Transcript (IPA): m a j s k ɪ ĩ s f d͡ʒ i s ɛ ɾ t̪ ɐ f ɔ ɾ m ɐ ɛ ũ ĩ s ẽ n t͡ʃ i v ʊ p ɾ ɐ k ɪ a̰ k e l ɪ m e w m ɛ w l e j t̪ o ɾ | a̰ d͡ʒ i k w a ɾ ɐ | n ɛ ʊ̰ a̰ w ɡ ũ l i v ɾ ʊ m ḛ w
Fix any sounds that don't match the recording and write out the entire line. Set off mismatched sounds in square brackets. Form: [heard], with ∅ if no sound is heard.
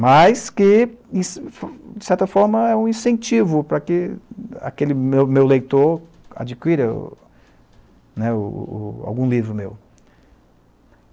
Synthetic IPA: m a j s k ɪ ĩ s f d͡ʒ [ɪ] s ɛ ɾ t̪ ɐ f ɔ ɾ m ɐ ɛ ũ ĩ s ẽ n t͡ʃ i v ʊ p ɾ ɐ k ɪ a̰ k e l ɪ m e w m [e] w l e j t̪ o ɾ | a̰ d͡ʒ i k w [i] ɾ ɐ | n ɛ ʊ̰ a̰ w ɡ ũ l i v ɾ ʊ m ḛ w